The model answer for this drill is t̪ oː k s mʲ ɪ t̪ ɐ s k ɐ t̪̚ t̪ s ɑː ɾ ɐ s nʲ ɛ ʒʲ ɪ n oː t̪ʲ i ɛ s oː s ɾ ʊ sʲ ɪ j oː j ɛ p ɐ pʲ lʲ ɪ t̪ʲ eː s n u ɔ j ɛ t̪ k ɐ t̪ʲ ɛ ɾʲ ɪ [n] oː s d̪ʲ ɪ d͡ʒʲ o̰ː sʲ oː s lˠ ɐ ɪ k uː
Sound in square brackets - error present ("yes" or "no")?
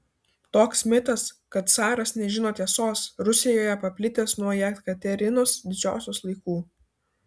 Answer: no